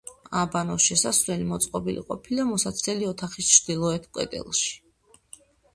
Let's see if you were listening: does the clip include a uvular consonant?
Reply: yes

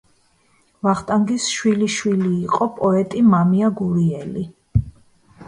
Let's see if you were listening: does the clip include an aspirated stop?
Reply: no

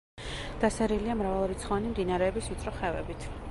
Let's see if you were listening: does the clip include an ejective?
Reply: yes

